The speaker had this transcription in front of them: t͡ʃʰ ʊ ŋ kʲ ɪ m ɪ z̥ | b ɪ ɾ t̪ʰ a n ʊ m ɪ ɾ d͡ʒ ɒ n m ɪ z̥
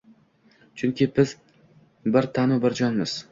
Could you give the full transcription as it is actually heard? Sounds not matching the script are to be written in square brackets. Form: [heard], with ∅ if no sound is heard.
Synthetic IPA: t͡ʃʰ ʊ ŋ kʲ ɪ [b] ɪ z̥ | b ɪ ɾ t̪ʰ a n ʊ [b] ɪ ɾ d͡ʒ ɒ n m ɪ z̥